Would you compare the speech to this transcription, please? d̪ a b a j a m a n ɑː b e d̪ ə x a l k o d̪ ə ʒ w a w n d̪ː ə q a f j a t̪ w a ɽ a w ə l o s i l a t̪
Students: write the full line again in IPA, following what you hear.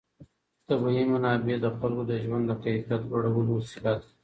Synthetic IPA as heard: t̪ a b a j i m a n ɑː b e d̪ ə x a l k o d̪ ə ʒ w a n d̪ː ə q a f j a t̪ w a ɽ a w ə l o s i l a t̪